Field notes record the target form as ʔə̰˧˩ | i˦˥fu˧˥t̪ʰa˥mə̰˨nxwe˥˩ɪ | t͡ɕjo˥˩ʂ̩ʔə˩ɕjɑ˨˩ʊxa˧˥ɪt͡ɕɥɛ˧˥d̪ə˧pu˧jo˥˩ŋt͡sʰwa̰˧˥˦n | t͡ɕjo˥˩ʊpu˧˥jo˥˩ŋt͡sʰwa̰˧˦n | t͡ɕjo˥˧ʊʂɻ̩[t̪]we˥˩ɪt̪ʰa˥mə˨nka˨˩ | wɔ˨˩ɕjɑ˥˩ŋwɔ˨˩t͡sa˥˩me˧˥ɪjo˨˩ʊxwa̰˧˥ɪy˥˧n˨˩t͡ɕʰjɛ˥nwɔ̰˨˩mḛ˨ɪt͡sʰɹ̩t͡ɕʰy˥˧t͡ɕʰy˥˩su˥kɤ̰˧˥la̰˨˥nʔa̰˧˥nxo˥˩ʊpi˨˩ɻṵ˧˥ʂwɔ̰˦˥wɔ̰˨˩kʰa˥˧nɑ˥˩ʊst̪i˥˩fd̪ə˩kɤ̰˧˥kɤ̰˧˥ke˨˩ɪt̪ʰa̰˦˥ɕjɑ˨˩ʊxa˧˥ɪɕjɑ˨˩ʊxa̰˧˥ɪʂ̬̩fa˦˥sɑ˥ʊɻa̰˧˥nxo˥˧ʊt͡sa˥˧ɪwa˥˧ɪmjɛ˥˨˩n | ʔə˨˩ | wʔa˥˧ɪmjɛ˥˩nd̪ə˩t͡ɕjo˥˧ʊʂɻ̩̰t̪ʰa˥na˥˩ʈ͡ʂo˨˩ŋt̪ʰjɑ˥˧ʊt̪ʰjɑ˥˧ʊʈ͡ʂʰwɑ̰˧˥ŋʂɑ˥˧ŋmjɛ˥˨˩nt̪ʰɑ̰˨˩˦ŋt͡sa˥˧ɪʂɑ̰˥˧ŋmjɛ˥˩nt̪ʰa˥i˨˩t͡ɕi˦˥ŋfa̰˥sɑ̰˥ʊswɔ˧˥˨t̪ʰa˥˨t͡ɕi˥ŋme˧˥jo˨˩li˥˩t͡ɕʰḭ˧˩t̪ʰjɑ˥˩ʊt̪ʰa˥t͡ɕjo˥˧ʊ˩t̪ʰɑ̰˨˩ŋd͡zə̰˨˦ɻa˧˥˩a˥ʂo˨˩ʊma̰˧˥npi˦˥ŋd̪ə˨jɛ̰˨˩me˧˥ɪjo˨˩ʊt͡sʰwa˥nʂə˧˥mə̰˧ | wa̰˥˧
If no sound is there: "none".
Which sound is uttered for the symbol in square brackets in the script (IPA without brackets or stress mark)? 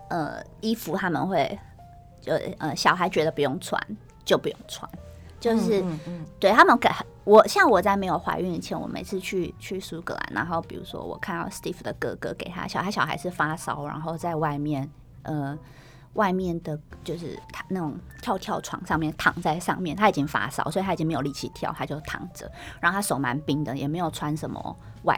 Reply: t̪